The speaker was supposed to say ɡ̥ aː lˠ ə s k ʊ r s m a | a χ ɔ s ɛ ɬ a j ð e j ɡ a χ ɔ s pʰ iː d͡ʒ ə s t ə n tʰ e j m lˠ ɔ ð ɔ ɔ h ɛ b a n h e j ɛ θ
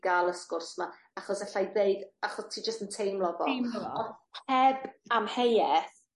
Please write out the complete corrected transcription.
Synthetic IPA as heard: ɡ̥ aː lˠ ə s k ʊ r s m a | a χ ɔ s ɛ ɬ a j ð e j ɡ a χ ɔ s tʰ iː d͡ʒ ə s t ə n tʰ e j m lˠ ɔ v ɔ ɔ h ɛ b a m h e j ɛ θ

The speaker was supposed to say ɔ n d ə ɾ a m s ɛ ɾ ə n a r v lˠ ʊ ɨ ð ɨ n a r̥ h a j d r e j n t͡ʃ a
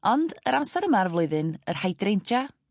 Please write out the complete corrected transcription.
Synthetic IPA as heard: ɔ n d ə ɾ a m s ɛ ɾ ə m a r v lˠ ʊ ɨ ð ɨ n ə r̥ h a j d r e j n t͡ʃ a

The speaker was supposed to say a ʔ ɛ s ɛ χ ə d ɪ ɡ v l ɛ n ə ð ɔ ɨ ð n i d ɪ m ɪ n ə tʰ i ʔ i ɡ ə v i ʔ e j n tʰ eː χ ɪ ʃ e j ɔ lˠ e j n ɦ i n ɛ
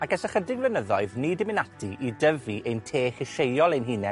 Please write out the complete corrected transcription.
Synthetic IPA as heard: a k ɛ s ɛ χ ə d ɪ ɡ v l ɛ n ə ð ɔ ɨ ð n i d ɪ m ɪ n a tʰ i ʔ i d ə v i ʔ e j n tʰ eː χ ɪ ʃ e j ɔ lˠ e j n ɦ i n ɛ

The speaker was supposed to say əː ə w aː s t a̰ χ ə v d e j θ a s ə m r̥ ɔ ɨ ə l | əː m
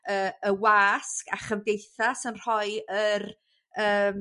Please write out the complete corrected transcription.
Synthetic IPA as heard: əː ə w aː s k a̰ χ ə v d e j θ a s ə n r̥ ɔ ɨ ə r | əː m

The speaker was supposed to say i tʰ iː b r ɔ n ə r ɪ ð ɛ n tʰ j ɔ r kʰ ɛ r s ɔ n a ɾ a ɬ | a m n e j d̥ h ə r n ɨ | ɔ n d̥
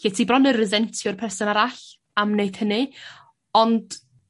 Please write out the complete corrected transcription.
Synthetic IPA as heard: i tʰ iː b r ɔ n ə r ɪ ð ɛ n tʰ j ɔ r pʰ ɛ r s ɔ n a ɾ a ɬ | a m n e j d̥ h ə n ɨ | ɔ n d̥

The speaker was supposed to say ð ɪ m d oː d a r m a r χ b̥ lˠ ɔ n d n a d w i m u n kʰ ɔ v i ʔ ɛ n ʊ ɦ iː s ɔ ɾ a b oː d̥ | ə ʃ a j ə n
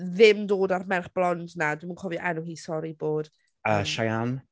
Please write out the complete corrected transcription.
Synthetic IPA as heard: ð ɪ m d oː d a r m ɛ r χ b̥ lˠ ɔ n d n a d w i m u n kʰ ɔ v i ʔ ɛ n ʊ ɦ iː s ɔ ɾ i b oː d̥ | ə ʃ a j a n

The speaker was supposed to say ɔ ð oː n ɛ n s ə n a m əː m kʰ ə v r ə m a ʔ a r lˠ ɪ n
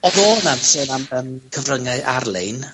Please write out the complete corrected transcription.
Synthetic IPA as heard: ɔ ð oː n a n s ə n a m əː m kʰ ə v r ə ŋ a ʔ a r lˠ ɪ n

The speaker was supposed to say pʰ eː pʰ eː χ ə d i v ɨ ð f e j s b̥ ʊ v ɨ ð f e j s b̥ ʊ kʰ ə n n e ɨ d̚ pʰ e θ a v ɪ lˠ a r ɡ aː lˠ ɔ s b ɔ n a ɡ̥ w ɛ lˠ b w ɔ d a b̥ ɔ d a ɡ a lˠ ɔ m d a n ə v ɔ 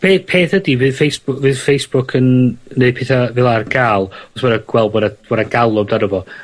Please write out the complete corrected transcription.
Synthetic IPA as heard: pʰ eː pʰ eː θ ə d i v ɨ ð f e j s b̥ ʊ v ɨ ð f e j s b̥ ʊ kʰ ə n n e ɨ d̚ pʰ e θ a v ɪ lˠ a r ɡ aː lˠ ɔ s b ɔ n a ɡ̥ w ɛ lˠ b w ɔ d a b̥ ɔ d a ɡ a lˠ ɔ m d a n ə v ɔ

